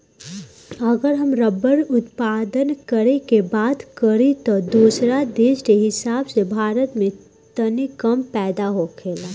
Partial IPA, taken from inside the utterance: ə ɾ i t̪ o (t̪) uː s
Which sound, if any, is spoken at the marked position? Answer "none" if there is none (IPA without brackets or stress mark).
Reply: d̪